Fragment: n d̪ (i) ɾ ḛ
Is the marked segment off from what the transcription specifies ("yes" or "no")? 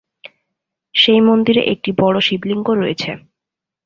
no